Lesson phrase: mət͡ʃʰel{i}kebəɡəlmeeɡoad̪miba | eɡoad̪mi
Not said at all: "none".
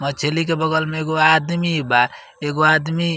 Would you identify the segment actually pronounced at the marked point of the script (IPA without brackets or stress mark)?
i